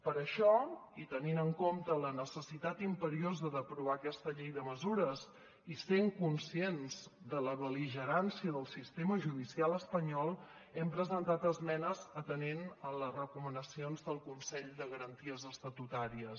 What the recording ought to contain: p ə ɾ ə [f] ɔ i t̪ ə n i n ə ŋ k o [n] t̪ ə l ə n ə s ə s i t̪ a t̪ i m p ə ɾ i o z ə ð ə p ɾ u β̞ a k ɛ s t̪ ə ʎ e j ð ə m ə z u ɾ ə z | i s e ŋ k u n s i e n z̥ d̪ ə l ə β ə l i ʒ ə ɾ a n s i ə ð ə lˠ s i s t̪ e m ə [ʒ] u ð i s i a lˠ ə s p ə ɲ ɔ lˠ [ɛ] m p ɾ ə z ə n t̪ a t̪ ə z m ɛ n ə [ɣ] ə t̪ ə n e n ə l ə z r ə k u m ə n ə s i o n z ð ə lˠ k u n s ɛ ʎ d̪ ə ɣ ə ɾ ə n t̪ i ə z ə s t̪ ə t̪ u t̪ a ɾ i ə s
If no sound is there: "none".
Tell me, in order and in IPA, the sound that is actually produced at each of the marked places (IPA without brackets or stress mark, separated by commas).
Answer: ʃ, m, ʒ, ɛ, z